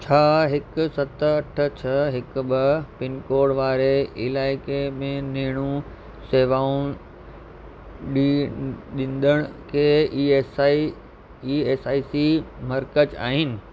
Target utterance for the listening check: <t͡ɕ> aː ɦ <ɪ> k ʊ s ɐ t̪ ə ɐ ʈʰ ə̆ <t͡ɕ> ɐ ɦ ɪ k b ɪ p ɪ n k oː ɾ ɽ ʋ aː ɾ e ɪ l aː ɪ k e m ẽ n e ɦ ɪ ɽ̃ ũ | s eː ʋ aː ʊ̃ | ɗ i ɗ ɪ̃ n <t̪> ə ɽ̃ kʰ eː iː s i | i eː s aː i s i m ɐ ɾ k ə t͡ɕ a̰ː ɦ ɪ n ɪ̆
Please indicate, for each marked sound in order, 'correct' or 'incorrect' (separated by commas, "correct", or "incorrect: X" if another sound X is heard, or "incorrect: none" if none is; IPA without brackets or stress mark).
incorrect: t͡ɕʰ, correct, incorrect: t͡ɕʰ, incorrect: d̪